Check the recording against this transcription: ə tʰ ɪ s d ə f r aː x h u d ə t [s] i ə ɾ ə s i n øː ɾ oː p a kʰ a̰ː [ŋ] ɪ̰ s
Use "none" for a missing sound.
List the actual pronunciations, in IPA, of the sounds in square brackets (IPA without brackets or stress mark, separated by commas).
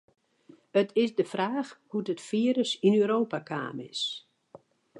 f, m